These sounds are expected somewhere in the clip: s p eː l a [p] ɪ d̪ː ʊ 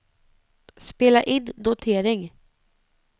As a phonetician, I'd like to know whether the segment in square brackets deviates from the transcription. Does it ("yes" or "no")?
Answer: yes